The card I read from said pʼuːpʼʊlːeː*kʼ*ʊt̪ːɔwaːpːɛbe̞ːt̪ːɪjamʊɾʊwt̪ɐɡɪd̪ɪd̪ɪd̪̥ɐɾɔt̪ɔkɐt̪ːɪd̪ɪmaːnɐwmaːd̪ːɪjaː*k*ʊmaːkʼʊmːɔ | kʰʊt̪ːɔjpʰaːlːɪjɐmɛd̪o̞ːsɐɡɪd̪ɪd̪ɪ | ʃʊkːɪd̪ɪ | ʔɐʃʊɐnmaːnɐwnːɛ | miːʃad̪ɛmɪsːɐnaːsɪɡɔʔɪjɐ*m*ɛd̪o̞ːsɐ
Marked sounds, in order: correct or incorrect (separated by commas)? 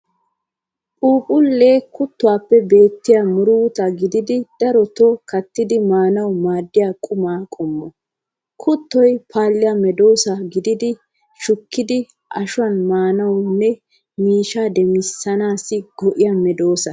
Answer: incorrect, incorrect, correct